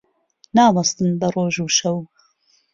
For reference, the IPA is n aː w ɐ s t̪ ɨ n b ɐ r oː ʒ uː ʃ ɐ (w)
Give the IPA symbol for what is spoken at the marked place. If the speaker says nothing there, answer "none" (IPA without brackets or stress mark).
w